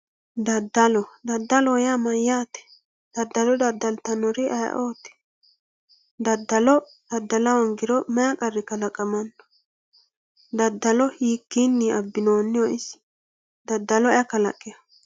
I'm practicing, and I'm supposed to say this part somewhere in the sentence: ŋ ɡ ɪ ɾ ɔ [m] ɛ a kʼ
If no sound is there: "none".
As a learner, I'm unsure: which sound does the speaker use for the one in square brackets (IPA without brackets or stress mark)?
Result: m